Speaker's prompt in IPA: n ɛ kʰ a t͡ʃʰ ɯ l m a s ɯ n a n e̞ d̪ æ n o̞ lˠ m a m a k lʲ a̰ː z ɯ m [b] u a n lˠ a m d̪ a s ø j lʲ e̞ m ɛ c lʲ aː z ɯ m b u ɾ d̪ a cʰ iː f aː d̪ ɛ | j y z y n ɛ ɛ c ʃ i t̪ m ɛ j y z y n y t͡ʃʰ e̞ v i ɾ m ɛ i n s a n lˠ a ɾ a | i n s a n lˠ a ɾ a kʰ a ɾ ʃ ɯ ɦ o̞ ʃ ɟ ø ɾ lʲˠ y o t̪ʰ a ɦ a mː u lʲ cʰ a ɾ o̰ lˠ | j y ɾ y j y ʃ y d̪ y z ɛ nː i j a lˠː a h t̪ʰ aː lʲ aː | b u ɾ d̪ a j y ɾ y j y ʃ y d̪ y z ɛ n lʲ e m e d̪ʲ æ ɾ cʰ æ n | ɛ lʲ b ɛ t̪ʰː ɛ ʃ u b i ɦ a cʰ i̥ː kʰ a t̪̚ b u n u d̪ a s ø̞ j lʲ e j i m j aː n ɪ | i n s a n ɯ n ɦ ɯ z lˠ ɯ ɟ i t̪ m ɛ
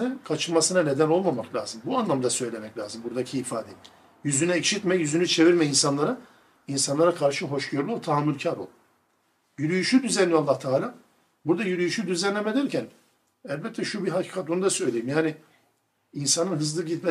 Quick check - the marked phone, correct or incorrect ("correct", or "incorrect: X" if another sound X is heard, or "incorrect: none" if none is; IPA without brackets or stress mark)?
correct